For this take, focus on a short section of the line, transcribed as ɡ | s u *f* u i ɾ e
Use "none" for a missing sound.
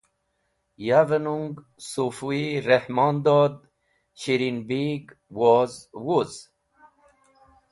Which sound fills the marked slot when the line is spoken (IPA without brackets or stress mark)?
f